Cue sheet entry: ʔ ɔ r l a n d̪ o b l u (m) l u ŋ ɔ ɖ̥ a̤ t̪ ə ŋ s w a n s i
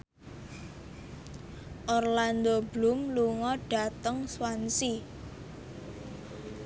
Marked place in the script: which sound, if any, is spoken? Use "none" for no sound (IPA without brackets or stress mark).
m